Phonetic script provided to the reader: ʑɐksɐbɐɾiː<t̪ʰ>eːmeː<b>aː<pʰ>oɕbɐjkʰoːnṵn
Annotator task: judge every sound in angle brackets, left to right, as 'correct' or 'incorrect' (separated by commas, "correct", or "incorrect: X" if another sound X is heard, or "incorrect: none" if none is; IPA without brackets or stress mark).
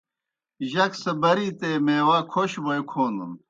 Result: incorrect: t̪, incorrect: w, incorrect: kʰ